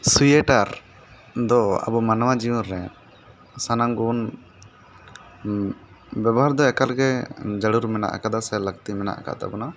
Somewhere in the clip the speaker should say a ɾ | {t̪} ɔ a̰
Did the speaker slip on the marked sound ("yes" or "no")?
yes